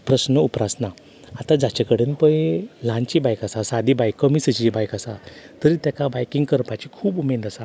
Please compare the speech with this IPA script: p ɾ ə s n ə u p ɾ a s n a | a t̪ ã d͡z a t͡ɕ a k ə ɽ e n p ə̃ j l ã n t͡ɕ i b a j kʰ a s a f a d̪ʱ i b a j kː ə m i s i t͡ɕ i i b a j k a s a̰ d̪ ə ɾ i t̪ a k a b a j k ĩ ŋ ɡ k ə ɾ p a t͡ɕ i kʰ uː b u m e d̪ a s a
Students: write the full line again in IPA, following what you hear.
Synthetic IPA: p ɾ ə s n ə u p ɾ a s n a | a t̪ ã d͡z a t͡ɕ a k ə ɽ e n p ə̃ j l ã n t͡ɕ i b a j k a s a s a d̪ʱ i b a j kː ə m i s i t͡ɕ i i b a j k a s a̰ t̪ ə ɾ i t̪ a k a b a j k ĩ ŋ ɡ k ə ɾ p a t͡ɕ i kʰ uː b u m e d̪ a s a